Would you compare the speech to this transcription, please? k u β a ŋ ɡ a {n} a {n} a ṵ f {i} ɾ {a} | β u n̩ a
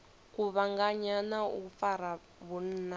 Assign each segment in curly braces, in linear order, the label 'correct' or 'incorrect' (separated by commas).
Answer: incorrect, correct, incorrect, correct